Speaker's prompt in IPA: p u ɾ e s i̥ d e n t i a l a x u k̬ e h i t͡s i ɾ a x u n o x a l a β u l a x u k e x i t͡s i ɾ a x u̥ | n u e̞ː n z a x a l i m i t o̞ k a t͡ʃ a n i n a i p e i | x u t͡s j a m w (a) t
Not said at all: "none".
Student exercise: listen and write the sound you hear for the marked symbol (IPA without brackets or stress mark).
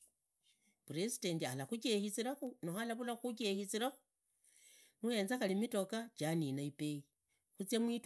i